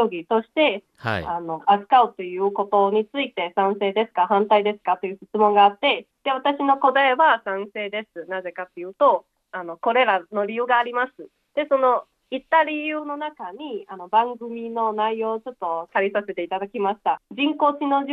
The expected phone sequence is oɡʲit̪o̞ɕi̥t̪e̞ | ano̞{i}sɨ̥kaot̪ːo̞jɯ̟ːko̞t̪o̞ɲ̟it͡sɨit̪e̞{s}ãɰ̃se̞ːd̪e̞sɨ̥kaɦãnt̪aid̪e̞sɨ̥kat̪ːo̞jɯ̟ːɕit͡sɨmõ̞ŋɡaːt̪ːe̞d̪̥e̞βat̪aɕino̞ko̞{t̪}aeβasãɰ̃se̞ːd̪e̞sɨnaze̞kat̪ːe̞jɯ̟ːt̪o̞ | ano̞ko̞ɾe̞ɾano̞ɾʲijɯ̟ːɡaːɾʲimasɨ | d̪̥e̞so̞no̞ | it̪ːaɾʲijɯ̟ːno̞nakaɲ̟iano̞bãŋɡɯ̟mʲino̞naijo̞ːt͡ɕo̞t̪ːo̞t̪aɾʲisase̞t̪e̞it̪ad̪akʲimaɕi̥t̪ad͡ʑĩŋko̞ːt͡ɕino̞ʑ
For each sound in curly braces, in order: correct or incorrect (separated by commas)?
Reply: incorrect, correct, incorrect